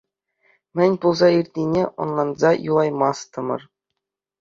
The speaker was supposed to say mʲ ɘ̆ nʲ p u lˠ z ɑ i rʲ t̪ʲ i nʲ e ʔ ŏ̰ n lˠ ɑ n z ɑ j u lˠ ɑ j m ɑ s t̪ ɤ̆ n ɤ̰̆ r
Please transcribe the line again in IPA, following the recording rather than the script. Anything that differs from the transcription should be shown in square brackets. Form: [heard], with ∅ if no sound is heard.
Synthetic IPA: mʲ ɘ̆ nʲ p u lˠ z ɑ i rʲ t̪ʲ i nʲ e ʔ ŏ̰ n lˠ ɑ n z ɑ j u lˠ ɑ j m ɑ s t̪ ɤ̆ [m] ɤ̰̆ r